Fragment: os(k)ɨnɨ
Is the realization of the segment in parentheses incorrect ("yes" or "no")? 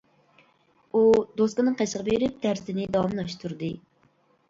no